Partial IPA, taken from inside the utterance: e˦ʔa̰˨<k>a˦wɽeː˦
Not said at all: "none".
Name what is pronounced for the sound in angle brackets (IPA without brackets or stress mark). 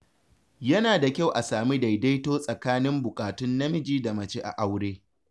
ʔ